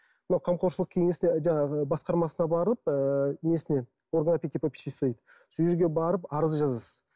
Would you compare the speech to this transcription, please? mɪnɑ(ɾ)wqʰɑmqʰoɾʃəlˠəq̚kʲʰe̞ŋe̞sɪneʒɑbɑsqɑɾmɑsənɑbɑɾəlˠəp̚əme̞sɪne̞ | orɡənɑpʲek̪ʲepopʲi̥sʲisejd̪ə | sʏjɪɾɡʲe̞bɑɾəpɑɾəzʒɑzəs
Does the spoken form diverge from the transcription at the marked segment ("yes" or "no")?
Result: yes